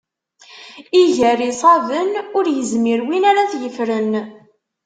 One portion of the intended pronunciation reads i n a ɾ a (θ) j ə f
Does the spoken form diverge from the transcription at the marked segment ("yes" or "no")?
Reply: no